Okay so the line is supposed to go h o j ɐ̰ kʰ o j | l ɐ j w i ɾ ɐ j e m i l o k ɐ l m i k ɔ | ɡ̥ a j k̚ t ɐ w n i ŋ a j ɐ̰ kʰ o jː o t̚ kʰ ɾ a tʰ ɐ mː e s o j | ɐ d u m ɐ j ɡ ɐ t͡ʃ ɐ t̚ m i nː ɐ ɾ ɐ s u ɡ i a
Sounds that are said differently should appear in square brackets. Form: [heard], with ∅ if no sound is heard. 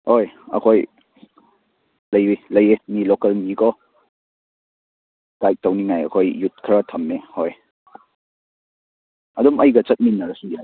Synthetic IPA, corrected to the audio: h o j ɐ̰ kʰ o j | l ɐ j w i [l] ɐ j e m i l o k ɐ l m i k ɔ | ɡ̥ a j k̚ t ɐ w n i ŋ a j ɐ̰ kʰ o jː [u] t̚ kʰ ɾ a tʰ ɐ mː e [h] o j | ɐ d u m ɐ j ɡ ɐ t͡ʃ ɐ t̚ m i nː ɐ ɾ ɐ s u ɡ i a